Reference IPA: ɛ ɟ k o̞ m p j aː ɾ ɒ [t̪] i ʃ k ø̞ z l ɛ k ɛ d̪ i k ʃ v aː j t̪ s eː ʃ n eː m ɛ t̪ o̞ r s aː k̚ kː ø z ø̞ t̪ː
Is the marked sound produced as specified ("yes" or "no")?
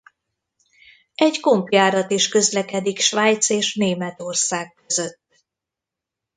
yes